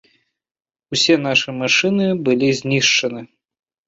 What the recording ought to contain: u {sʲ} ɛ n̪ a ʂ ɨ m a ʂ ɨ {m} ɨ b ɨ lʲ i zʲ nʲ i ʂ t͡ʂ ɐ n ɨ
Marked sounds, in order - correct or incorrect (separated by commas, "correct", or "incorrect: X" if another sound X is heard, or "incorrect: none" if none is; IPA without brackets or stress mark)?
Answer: correct, incorrect: n